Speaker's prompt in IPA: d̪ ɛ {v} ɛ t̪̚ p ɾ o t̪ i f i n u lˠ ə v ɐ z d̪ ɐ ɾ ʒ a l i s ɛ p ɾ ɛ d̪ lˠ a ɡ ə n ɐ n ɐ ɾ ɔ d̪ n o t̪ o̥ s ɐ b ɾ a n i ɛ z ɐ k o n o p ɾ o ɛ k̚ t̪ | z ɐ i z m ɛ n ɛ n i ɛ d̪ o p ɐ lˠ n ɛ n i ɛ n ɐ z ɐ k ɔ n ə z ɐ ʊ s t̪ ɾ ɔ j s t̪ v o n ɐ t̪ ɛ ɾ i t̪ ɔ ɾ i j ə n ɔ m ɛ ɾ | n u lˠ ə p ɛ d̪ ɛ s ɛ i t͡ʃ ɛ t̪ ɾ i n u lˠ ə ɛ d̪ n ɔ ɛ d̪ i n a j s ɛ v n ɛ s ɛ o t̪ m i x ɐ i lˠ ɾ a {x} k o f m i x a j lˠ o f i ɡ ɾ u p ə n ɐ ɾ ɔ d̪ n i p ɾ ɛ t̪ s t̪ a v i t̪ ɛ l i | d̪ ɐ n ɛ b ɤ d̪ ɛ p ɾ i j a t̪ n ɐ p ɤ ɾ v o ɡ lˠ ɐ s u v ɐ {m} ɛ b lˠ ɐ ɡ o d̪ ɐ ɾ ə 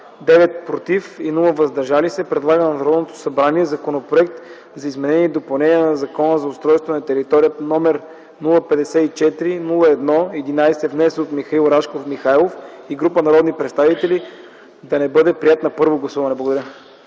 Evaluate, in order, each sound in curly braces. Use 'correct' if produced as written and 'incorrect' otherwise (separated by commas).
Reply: correct, incorrect, incorrect